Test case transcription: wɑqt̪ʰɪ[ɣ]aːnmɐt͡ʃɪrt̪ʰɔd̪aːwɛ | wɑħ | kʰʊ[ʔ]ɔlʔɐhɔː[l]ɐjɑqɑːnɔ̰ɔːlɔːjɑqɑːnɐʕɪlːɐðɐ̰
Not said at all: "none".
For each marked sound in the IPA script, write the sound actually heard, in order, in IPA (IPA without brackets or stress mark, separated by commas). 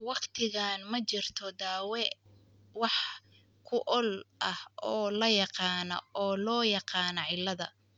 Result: ɣ, ʔ, l